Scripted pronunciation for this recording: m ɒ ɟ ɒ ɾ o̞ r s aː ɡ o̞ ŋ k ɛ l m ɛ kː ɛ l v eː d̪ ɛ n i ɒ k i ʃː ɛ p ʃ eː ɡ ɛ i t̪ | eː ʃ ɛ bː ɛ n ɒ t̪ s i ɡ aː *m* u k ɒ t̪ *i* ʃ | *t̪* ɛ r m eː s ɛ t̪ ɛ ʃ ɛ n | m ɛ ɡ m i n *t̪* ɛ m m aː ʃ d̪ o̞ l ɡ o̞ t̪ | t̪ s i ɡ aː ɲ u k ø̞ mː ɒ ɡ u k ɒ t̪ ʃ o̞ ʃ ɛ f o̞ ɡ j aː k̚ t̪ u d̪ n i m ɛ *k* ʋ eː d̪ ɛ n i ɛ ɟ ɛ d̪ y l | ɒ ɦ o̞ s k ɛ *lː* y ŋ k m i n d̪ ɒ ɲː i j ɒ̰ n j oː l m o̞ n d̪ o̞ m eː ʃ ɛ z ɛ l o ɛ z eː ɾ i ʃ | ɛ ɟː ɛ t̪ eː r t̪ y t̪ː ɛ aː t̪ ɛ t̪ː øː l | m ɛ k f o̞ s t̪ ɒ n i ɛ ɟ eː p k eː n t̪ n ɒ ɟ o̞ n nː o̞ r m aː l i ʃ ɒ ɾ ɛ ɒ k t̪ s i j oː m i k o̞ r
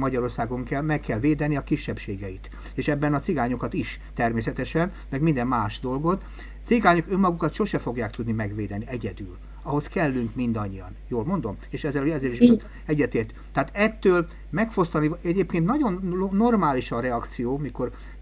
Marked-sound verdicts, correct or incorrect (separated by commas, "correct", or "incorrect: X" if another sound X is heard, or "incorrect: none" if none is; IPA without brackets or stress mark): incorrect: ɲ, correct, correct, incorrect: d̪, incorrect: ɡ, correct